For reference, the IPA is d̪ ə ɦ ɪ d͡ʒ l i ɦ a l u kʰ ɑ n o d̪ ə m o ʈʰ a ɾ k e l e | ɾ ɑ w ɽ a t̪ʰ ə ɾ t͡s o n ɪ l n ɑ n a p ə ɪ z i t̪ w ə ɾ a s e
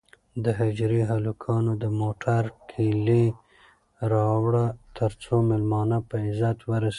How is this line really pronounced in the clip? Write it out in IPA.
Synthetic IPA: d̪ ə ɦ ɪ d͡ʒ ɾ i ɦ a l u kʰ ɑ n o d̪ ə m o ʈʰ a ɾ kʰ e l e | ɾ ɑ w ɽ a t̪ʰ ə ɾ t͡s o m ɪ l m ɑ n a p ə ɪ z a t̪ w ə ɾ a s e